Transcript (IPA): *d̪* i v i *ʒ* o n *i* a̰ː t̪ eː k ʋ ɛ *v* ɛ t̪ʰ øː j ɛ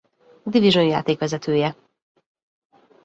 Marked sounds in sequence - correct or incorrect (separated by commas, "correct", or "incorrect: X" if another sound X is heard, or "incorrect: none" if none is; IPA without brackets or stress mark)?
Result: correct, correct, incorrect: j, incorrect: z